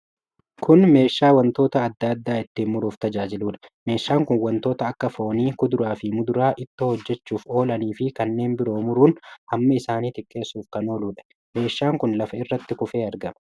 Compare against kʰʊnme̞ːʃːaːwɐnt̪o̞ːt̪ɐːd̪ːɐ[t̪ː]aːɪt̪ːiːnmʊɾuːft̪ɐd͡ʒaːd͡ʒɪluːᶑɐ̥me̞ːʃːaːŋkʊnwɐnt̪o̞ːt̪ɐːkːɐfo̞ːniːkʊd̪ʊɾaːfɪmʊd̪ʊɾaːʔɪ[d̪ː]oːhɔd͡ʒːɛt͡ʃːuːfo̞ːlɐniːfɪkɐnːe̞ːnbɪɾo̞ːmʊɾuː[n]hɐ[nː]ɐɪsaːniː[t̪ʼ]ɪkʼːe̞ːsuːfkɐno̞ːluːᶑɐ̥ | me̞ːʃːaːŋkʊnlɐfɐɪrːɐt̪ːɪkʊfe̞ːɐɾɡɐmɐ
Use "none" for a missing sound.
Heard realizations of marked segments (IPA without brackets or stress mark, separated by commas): d̪ː, t̪ː, n, mː, t̪